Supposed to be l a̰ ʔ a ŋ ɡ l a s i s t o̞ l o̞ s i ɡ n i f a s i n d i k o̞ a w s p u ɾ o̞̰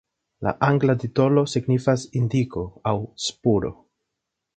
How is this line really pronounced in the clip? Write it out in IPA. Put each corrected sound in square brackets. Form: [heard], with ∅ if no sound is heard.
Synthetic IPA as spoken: l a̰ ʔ a ŋ ɡ l a [t] i [∅] t o̞ l o̞ s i ɡ n i f a s i n d i k o̞ a w s p u ɾ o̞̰

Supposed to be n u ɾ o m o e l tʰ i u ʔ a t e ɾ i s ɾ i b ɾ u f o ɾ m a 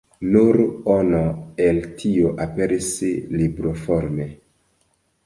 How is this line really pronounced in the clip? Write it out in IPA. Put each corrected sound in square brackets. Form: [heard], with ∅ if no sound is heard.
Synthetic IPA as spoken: n u ɾ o [n] o e l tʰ i [o] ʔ a [p] e ɾ i s [l] i b ɾ [o] f o ɾ m [e]

